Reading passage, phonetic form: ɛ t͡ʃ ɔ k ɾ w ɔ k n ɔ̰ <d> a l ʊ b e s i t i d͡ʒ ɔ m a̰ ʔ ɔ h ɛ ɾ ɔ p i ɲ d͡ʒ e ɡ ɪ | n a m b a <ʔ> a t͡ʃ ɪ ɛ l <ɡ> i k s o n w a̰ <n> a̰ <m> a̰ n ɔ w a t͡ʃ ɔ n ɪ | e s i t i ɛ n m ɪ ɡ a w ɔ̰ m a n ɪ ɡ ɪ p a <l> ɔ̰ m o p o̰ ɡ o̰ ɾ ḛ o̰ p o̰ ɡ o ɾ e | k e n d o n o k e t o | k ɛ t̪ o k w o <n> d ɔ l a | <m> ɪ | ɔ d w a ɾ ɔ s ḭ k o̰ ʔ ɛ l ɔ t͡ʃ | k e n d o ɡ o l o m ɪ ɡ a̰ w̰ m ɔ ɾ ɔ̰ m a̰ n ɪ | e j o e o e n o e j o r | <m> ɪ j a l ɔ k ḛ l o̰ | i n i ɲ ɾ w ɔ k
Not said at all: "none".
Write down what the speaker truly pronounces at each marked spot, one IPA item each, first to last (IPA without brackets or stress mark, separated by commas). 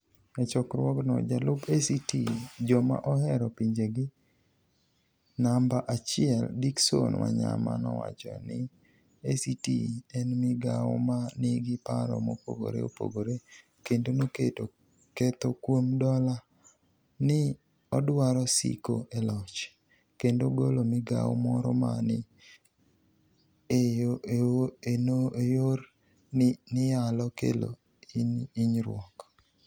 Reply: d͡ʒ, ʔ, d, ɲ, m, ɾ, m, n, n